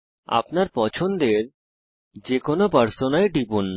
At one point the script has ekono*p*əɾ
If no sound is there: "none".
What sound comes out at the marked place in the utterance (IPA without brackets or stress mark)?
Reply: p